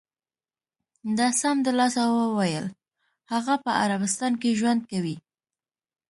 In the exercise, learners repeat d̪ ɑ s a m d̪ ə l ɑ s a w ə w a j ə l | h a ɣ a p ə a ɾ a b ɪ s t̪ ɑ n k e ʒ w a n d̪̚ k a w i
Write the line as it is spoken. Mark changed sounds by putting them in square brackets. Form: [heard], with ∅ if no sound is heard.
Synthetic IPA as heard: d̪ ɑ s a m d̪ ə l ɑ s a w ə w a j ə l | h a ɣ a p ə a ɾ a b ɪ s t̪ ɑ n k e ʒ w a n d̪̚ k a w i